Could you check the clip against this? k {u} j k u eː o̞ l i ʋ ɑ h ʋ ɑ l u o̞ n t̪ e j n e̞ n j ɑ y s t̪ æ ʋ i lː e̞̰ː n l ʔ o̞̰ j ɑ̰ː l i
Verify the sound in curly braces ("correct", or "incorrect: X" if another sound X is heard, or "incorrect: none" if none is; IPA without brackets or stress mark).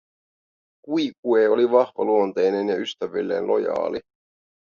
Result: correct